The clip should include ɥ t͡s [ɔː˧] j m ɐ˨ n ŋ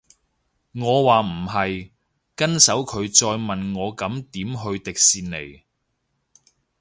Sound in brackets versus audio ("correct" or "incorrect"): correct